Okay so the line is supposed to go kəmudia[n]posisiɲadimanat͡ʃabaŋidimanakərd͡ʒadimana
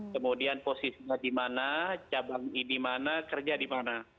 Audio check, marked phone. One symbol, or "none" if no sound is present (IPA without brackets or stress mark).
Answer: n